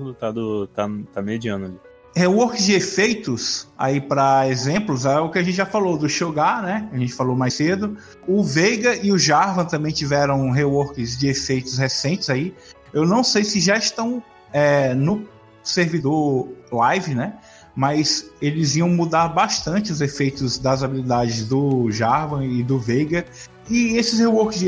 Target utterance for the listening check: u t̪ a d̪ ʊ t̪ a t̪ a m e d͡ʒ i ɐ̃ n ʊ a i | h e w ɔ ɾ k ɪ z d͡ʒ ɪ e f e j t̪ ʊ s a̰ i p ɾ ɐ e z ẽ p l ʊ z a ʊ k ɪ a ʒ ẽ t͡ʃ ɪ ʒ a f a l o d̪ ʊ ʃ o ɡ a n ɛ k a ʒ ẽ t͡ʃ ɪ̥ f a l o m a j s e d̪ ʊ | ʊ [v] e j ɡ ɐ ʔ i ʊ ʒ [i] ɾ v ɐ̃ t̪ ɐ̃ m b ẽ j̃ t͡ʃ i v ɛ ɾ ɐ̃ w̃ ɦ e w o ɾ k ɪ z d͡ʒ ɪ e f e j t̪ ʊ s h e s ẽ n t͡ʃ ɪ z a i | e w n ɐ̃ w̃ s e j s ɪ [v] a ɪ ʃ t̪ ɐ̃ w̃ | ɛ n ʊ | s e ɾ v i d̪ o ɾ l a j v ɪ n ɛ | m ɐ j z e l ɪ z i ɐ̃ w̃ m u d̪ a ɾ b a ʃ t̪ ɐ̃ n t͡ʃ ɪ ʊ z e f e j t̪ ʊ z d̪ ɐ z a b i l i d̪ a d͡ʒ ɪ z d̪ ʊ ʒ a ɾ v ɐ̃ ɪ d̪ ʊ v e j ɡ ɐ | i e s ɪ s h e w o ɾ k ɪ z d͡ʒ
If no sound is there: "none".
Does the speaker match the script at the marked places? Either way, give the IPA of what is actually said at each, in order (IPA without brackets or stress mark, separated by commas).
v, a, ʒ